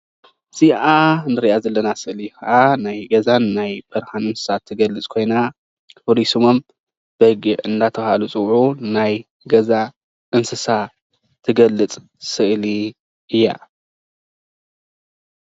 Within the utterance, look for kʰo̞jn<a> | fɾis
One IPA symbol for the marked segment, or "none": a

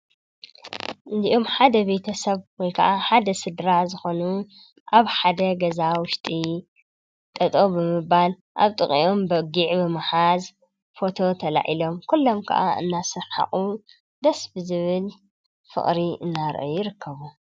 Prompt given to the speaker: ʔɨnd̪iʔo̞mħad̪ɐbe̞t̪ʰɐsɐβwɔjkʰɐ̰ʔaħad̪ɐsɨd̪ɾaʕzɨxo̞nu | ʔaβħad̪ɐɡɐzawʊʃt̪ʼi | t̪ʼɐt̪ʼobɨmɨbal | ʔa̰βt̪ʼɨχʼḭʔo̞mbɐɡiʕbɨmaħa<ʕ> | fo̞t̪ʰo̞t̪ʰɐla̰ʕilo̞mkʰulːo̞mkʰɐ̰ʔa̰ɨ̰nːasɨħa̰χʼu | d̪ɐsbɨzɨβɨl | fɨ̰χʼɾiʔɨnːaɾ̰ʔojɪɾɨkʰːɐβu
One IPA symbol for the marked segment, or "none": z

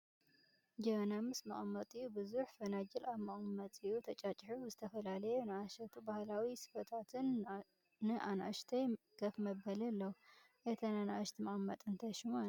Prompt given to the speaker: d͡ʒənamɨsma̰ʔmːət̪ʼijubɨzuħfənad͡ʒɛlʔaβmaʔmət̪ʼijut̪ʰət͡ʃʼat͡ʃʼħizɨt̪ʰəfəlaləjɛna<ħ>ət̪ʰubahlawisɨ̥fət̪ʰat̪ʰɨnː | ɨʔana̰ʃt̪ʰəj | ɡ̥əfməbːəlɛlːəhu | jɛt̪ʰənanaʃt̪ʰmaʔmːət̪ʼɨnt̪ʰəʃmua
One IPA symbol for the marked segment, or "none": ʃ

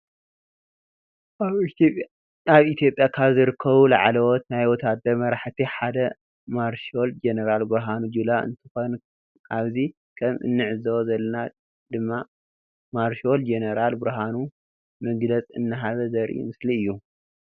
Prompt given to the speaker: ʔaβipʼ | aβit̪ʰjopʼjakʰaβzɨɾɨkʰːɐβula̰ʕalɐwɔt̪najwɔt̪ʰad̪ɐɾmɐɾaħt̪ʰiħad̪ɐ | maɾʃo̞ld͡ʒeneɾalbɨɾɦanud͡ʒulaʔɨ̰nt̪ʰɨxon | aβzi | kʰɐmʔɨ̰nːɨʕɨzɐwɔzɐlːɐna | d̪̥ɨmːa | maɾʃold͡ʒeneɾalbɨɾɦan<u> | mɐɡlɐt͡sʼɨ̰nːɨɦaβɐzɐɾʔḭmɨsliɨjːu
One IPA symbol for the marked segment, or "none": u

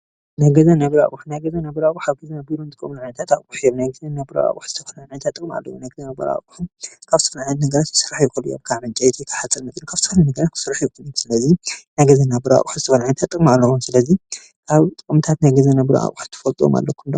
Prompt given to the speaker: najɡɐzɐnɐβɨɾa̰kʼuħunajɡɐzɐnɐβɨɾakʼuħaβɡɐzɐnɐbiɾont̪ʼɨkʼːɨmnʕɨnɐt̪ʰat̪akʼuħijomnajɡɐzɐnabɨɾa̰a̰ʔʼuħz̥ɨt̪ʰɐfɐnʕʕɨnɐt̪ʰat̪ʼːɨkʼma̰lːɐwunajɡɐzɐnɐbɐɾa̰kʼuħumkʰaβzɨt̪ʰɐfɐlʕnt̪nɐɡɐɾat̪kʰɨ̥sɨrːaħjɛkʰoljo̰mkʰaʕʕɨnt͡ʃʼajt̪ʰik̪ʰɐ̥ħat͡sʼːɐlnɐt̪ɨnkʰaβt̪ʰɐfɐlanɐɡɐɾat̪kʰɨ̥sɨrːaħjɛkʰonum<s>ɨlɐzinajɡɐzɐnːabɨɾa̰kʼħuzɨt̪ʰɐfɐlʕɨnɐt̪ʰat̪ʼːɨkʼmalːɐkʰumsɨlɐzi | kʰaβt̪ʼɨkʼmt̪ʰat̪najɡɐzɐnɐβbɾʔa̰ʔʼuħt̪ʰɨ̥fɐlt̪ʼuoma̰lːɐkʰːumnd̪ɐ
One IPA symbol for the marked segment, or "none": s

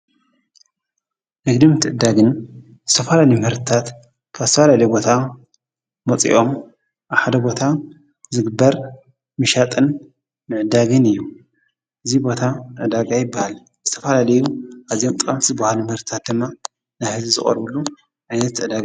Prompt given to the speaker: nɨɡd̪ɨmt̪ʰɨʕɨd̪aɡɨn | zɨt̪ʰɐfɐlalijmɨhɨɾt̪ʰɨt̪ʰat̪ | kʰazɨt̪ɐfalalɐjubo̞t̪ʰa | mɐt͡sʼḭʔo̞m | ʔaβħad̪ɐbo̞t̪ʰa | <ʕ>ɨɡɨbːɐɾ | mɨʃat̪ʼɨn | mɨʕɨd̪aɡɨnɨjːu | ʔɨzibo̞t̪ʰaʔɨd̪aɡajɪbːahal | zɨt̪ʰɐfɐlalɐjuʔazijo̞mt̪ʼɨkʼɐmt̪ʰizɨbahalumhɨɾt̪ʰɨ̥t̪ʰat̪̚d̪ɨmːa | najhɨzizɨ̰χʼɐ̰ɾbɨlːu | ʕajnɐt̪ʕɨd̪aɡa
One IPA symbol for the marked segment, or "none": z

